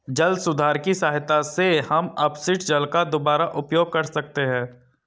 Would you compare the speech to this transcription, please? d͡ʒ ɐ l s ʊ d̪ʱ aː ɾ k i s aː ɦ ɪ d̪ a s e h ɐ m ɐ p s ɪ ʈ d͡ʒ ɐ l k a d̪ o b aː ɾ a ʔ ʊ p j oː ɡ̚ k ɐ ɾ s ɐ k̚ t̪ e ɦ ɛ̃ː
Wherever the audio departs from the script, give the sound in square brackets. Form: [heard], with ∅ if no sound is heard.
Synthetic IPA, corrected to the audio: d͡ʒ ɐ l s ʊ d̪ʱ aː ɾ k i s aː ɦ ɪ [t̪] a s e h ɐ m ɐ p s ɪ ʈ d͡ʒ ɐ l k a d̪ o b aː ɾ a ʔ ʊ p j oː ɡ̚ k ɐ ɾ s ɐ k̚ t̪ e ɦ ɛ̃ː